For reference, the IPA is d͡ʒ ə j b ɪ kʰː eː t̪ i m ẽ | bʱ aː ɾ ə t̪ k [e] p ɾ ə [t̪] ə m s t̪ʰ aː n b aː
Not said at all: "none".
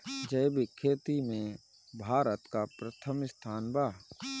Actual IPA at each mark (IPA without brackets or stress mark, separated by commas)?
a, t̪ʰ